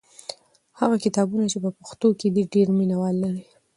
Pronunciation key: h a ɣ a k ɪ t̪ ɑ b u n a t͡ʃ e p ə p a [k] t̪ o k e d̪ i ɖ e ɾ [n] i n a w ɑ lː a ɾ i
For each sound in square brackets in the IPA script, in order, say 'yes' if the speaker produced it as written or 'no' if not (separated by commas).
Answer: no, no